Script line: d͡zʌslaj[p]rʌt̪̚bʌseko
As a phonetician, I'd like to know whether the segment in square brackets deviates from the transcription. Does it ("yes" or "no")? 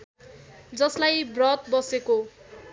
yes